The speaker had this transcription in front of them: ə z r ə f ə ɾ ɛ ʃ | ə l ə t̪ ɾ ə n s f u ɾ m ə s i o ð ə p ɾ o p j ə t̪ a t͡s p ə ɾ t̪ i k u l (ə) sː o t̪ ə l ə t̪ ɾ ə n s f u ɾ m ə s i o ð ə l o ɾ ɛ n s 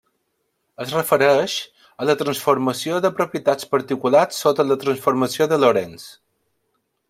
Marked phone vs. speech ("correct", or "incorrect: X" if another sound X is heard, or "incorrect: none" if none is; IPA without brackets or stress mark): incorrect: a